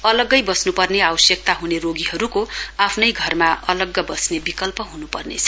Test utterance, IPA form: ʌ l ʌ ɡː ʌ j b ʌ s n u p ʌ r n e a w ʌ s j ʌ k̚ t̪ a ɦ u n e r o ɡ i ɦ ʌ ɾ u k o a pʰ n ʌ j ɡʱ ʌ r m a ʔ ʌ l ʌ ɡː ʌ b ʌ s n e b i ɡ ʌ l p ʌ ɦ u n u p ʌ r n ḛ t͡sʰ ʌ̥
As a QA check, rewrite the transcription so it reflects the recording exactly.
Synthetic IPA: ʌ l ʌ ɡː ʌ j b ʌ s n u p ʌ r n e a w ʌ s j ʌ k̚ t̪ a ɦ u n e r o ɡ i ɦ ʌ ɾ u k o a pʰ n ʌ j ɡʱ ʌ r m a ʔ ʌ l ʌ ɡː ʌ b ʌ s n e b i k ʌ l p ʌ ɦ u n u p ʌ r n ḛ t͡sʰ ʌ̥